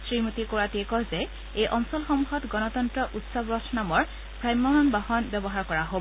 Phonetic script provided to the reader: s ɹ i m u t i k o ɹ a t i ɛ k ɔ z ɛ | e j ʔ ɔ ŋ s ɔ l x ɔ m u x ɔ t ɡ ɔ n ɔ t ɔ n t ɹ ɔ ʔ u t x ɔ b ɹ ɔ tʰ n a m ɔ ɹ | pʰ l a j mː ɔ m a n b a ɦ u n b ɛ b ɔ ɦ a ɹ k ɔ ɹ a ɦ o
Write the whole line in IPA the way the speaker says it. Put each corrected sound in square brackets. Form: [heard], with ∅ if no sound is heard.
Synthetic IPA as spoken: s ɹ i m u t i k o ɹ a t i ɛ k ɔ z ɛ | e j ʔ ɔ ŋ s ɔ l x ɔ m u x ɔ t ɡ ɔ n ɔ t ɔ n t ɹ ɔ ʔ u t [s] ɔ b ɹ ɔ tʰ n a m ɔ ɹ | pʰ [ɹ] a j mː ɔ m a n b a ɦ [ɔ] n b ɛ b ɔ ɦ a ɹ k ɔ ɹ a ɦ o